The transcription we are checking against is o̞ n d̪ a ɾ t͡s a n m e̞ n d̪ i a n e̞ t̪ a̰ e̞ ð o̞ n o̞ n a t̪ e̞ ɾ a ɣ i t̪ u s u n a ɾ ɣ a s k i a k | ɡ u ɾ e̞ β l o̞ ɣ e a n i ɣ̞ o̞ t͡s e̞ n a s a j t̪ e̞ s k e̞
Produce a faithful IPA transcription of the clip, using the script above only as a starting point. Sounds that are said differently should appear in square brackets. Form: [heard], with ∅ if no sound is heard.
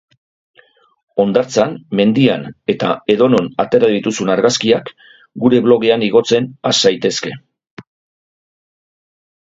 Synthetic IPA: o̞ n d̪ a ɾ t͡s a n m e̞ n d̪ i a n e̞ t̪ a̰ e̞ ð o̞ n o̞ n a t̪ e̞ ɾ a [ð] i t̪ u s u n a ɾ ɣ a s k i a k | ɡ u ɾ e̞ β l o̞ ɣ e a n i ɣ̞ o̞ t͡s e̞ n a s a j t̪ e̞ s k e̞